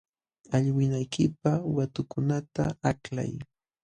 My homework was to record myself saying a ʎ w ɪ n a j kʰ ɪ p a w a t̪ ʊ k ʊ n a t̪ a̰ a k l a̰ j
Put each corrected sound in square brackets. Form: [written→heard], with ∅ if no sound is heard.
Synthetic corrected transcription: a ʎ w ɪ n a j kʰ ɪ p a w a t̪ ʊ k ʊ n a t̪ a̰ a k l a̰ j

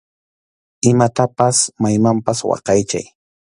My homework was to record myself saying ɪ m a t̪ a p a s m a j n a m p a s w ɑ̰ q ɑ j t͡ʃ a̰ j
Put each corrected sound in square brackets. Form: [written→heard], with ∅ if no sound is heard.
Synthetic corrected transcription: ɪ m a t̪ a p a s m a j [n→m] a m p a s w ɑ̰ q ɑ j t͡ʃ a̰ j

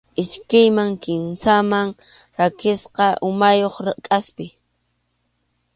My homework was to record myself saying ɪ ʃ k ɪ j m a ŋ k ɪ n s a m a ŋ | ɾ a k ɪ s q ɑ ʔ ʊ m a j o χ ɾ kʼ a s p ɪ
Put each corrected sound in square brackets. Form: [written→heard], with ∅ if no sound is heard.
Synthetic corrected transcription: ɪ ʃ k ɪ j m a ŋ k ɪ n s a m a ŋ | ɾ a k ɪ s q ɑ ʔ ʊ m a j o χ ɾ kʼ a s p ɪ

